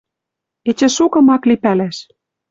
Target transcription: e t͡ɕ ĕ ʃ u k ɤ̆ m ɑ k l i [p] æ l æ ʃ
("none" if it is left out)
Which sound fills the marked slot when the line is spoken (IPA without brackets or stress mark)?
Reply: p